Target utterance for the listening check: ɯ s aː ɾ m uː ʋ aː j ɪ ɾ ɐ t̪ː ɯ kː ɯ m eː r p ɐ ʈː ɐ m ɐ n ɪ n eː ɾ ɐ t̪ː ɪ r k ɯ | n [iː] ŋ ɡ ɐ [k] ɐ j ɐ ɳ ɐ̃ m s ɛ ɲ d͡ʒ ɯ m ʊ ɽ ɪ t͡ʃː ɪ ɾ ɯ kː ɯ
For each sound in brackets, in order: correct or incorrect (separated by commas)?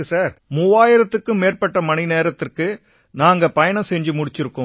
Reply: incorrect, incorrect